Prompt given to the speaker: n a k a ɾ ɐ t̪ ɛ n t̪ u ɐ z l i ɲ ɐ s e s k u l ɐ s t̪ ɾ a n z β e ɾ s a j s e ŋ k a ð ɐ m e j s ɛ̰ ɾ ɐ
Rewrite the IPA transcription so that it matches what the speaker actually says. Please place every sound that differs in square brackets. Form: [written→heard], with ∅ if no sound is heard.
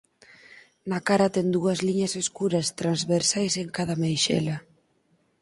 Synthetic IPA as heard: n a k a ɾ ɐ t̪ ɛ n [t̪→d̪] u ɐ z l i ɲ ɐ s e s k u [l→ɾ] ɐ s t̪ ɾ a n z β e ɾ s a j s e ŋ k a ð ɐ m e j [s→ʃ] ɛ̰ [ɾ→l] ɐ